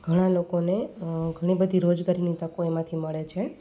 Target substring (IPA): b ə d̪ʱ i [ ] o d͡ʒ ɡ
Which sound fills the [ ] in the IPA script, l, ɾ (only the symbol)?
ɾ